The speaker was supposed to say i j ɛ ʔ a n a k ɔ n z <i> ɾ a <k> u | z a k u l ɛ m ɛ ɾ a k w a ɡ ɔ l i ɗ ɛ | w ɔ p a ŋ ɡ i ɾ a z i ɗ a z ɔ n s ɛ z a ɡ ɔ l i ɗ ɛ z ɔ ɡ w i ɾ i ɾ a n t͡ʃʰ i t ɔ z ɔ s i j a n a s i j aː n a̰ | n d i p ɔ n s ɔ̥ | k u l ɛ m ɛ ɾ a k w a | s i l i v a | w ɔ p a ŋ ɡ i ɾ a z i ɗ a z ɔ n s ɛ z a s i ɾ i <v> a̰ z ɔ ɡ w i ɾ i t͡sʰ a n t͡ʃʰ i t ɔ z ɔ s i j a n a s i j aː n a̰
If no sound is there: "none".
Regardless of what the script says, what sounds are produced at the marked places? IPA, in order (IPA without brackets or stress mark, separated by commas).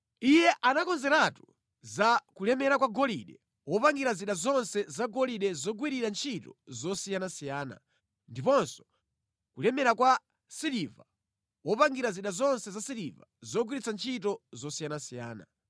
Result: ɛ, t, v